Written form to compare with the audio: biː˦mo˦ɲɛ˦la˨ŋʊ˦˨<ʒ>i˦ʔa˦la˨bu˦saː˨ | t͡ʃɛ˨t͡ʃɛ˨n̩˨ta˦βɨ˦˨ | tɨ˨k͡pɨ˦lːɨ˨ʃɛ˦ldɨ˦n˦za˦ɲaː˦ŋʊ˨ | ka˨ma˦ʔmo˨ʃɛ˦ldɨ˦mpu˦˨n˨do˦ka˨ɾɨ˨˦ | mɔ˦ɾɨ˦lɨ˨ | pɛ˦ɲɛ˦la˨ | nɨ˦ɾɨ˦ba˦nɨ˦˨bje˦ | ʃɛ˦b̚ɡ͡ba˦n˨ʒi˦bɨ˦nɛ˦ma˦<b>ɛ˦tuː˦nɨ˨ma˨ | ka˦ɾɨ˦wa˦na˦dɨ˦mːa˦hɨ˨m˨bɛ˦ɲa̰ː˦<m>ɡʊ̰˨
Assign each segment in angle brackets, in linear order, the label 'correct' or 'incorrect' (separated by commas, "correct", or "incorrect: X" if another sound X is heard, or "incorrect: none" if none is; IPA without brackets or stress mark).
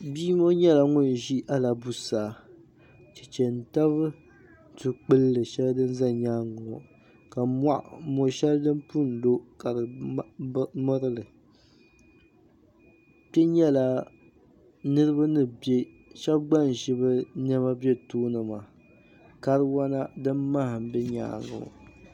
correct, correct, incorrect: ŋ